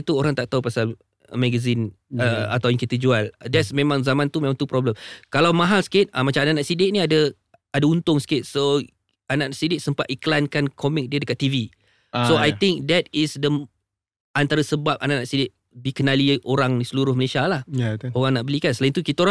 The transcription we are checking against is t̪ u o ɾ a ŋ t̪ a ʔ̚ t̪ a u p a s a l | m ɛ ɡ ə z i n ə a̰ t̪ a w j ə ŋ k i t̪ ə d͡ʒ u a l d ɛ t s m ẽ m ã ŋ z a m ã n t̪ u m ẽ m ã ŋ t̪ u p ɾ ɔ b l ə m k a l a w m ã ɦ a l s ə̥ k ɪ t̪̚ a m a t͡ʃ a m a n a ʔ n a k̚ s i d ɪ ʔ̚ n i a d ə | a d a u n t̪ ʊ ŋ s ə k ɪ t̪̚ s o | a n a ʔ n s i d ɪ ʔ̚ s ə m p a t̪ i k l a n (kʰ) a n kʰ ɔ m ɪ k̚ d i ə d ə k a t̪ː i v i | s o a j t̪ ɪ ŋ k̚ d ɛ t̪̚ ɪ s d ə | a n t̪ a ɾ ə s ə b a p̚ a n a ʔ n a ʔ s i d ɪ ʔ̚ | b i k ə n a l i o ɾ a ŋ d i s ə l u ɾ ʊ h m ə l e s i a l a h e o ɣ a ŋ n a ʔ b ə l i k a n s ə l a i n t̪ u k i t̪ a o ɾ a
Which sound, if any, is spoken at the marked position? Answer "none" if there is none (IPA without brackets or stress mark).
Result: k